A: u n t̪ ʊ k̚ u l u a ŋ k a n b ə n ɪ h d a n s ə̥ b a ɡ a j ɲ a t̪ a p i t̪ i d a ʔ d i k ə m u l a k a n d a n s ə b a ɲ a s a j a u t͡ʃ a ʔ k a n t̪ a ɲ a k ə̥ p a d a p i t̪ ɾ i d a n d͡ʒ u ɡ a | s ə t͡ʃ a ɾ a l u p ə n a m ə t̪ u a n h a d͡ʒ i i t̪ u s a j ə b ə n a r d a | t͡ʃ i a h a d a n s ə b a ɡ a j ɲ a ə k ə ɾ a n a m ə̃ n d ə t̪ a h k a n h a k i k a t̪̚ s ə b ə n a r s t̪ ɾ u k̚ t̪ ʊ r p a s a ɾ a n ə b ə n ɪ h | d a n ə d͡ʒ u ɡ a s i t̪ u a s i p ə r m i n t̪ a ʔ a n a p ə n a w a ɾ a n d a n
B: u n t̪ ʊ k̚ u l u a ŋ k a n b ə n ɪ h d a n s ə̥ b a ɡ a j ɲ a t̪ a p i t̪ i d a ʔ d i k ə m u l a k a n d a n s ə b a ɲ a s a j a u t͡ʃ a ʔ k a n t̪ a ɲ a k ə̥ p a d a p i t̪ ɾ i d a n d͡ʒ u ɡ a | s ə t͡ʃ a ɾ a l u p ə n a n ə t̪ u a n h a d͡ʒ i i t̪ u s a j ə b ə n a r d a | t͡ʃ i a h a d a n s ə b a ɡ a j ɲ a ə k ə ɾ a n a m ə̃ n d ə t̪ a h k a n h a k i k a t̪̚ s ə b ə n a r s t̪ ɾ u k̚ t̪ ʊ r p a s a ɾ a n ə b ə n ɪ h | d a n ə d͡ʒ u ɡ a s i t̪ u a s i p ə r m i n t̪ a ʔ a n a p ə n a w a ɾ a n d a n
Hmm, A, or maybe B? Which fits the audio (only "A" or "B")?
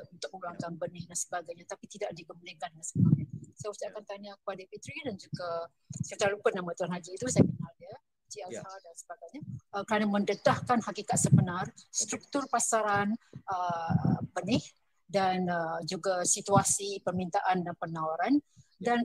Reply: A